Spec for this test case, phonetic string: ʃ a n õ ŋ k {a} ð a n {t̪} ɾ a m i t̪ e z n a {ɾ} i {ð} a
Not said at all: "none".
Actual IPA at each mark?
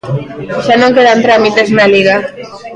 e, t̪, l, ɣ

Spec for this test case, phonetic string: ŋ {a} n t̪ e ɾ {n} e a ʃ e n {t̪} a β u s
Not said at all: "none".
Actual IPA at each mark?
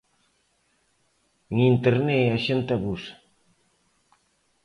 i, n, t̪

